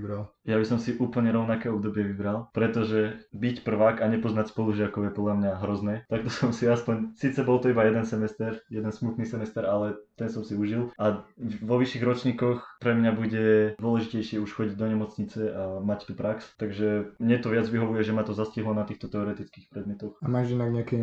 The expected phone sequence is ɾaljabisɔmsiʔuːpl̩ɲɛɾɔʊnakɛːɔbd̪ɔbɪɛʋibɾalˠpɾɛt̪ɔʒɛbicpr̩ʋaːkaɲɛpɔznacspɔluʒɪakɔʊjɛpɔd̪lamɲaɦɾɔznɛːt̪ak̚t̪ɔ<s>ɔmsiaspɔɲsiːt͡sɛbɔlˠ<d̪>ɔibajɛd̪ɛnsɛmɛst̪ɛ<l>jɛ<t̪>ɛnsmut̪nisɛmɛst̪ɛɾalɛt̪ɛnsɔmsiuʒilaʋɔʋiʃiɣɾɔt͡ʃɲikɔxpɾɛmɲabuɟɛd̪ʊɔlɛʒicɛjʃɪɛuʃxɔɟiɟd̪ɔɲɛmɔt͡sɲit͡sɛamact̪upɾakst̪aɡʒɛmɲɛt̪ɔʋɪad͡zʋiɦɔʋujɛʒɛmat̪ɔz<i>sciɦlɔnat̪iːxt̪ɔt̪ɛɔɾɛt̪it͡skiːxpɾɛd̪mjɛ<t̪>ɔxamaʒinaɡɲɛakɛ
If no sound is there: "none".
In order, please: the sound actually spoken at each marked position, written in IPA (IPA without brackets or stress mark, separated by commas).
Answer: s, t̪, ɾ, d̪, a, t̪